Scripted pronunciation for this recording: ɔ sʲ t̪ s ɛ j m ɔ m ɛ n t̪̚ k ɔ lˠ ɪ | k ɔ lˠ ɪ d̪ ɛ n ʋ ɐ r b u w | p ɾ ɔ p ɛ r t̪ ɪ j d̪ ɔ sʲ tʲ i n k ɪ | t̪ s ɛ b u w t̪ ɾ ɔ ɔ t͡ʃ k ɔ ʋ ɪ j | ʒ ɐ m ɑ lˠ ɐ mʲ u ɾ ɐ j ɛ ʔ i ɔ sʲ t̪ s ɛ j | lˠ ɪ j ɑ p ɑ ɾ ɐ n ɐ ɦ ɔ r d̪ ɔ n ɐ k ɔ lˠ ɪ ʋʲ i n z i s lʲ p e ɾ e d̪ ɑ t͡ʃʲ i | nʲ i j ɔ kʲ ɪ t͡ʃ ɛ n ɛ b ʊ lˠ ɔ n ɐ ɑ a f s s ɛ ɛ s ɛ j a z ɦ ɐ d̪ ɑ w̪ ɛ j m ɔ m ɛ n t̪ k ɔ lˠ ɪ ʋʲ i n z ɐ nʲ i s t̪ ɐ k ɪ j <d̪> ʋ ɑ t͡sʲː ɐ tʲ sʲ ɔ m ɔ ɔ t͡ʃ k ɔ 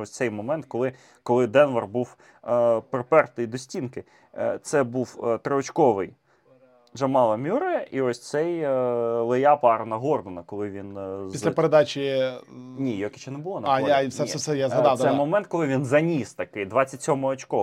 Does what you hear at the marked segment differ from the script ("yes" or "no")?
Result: no